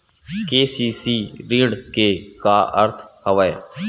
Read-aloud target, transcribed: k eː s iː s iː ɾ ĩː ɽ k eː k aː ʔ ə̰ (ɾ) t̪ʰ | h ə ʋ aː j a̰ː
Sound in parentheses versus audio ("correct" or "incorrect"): correct